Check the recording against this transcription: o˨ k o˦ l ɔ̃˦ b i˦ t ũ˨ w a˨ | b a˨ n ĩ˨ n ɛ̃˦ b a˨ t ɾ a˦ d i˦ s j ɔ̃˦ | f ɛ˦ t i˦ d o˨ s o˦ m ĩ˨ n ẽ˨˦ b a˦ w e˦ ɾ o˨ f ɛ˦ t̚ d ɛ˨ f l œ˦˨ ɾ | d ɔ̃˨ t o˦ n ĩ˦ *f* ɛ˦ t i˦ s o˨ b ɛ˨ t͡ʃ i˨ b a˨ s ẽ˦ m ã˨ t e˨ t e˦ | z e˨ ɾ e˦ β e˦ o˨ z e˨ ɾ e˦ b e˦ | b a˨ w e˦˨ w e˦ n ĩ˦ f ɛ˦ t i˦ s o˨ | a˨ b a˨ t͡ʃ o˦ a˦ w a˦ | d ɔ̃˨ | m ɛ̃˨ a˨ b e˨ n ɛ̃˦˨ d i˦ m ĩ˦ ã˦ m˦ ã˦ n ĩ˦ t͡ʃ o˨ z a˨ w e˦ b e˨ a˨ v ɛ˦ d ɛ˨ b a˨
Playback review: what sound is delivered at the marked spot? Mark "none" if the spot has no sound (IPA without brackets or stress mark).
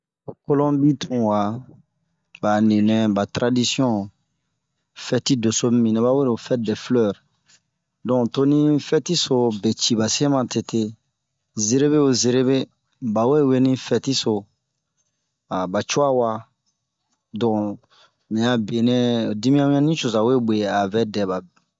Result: f